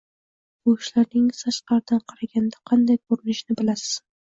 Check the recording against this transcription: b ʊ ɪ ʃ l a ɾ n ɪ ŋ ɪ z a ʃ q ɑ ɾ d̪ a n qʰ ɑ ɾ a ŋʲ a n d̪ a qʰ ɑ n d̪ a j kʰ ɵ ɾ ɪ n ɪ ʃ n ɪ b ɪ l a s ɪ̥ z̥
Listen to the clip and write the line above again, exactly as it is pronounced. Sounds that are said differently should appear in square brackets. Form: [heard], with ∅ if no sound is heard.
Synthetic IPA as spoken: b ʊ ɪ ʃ l a ɾ n ɪ ŋ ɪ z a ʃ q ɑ ɾ d̪ a n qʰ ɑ ɾ a [ɡʲ] a n d̪ a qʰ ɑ n d̪ a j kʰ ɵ ɾ ɪ n ɪ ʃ n ɪ b ɪ l a s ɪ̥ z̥